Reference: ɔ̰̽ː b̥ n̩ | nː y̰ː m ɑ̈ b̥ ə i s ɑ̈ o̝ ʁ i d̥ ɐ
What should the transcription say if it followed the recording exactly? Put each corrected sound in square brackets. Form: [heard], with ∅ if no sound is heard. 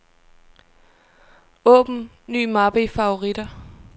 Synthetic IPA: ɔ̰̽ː b̥ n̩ | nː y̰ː m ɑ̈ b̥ ə i [f] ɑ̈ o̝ ʁ i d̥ ɐ